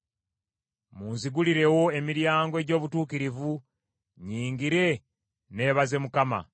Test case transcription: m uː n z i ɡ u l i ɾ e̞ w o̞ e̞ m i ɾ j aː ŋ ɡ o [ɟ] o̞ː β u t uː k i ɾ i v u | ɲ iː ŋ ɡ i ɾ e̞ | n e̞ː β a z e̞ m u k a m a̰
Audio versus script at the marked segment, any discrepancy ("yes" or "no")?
no